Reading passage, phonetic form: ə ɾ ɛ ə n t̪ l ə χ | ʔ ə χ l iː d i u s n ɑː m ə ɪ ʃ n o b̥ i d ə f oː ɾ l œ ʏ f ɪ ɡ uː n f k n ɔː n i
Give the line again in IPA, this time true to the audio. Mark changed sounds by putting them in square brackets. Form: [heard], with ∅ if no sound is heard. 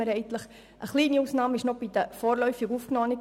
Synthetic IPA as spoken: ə ɾ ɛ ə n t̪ l ə χ | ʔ ə χ l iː [n] i u s n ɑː m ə ɪ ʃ n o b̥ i d ə f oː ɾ l œ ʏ f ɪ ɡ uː [∅] f k n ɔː n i